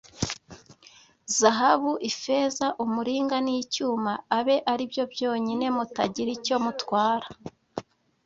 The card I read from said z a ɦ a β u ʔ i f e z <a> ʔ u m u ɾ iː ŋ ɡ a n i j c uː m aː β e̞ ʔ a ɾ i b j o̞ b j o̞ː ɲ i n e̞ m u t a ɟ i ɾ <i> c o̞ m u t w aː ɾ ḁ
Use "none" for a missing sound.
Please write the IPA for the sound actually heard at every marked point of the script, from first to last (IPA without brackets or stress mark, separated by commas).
a, i